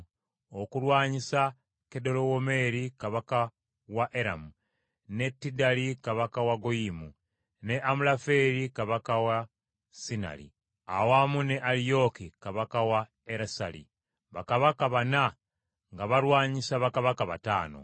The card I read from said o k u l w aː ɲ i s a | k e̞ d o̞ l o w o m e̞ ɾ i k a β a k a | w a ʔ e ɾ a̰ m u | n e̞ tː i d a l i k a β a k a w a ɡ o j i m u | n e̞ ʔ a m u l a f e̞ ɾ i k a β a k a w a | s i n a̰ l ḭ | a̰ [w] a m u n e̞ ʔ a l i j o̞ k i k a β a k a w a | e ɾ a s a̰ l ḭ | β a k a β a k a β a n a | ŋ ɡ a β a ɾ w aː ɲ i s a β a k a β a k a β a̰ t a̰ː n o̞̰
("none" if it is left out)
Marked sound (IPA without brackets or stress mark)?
w